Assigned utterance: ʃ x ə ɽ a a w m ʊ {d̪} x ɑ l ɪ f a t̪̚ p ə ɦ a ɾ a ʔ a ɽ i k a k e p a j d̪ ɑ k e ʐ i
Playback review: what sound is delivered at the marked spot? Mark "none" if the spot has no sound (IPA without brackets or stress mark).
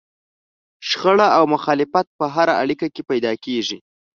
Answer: none